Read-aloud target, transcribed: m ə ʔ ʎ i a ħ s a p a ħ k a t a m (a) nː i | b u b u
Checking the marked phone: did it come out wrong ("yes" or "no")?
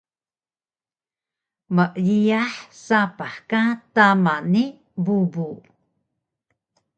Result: no